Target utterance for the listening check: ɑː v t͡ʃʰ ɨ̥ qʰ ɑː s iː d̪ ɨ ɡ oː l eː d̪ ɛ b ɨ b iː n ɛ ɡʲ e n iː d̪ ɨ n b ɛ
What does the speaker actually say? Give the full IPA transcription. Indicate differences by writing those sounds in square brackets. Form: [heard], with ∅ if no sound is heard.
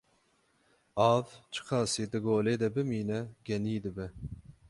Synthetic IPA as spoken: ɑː v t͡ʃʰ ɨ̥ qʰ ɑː s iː d̪ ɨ ɡ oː l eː d̪ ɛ b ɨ [m] iː n ɛ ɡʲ [ɛ] n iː d̪ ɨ [∅] b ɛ